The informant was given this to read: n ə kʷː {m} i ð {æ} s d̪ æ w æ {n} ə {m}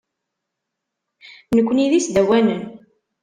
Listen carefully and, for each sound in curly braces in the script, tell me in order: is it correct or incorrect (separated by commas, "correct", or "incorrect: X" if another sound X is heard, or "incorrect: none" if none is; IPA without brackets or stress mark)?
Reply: incorrect: n, incorrect: i, correct, incorrect: n